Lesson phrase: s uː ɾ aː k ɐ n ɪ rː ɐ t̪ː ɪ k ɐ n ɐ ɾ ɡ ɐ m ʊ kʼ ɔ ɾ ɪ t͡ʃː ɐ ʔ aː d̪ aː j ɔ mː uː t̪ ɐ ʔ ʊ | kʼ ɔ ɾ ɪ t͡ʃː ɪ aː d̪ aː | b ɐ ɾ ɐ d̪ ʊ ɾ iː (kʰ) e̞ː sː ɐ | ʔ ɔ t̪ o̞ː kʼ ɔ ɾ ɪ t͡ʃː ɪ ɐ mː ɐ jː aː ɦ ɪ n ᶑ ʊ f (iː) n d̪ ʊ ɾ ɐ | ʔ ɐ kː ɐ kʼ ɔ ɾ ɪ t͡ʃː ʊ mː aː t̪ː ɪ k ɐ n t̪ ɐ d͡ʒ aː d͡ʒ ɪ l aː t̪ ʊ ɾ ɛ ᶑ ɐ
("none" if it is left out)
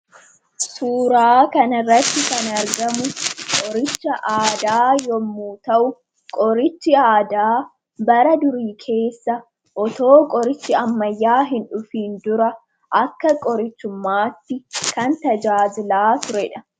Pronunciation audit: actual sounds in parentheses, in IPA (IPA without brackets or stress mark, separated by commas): kʰ, iː